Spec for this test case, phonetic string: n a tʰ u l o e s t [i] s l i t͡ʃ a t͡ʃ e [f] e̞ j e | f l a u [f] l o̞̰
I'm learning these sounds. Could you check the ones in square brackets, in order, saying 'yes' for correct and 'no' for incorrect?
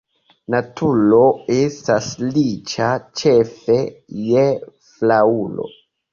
no, yes, no

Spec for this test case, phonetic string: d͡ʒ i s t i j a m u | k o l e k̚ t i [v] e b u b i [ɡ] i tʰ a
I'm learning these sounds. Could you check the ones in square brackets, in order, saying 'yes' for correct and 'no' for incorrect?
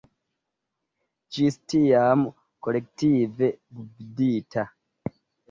yes, no

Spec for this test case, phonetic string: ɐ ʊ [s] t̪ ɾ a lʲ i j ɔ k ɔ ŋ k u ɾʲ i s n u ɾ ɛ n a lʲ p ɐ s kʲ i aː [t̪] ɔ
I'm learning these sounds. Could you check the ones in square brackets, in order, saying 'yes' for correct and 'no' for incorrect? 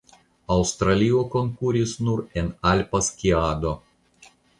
yes, no

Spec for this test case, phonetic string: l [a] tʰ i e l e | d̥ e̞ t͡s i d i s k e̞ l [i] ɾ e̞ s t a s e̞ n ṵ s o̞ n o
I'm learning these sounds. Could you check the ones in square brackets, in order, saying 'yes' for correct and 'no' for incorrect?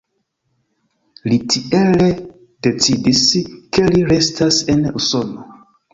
no, yes

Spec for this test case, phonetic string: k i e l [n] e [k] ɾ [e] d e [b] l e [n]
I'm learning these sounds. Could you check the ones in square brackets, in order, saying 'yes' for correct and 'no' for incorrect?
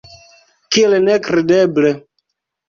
yes, yes, yes, yes, no

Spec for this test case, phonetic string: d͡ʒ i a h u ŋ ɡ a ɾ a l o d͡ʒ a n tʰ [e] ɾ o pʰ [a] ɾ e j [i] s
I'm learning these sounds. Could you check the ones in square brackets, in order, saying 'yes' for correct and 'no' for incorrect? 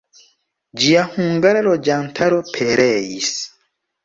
no, no, yes

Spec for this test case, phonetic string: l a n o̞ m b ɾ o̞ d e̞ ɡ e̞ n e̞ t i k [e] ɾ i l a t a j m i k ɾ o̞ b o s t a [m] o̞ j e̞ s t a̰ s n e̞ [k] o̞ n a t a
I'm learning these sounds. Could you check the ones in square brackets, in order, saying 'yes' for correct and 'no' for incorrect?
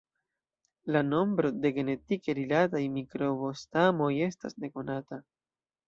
yes, yes, yes

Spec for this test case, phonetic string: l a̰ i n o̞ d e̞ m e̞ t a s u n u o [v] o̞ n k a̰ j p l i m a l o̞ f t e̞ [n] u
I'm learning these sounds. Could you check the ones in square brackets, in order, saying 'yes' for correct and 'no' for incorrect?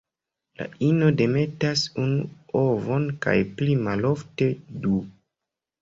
yes, no

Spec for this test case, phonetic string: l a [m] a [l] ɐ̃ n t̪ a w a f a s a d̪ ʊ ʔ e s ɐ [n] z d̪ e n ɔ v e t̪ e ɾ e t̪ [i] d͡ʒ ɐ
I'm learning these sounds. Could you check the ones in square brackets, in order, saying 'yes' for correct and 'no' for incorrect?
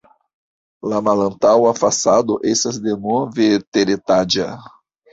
yes, yes, no, no

